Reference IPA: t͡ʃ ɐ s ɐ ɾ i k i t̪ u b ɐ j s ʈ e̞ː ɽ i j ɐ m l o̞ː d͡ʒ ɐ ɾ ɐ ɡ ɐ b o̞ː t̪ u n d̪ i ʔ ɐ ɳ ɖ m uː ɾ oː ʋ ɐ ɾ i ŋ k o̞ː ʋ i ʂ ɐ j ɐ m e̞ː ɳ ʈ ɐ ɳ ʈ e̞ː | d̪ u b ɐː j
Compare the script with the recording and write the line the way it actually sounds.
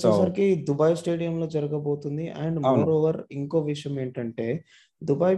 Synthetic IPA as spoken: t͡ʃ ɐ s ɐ ɾ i k i d̪ u b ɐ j s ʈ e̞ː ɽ i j ɐ m l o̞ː d͡ʒ ɐ ɾ ɐ ɡ ɐ b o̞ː t̪ u n d̪ i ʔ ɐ ɳ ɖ m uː ɾ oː ʋ ɐ ɾ i ŋ k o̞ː ʋ i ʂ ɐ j ɐ m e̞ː ɳ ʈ ɐ ɳ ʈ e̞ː | d̪ u b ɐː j